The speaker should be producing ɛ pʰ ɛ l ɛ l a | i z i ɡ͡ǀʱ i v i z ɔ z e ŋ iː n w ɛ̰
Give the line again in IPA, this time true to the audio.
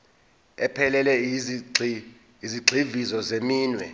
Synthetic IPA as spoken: ɛ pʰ ɛ l ɛ l ɛ | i z i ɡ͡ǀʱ i v i z ɔ z e m iː n w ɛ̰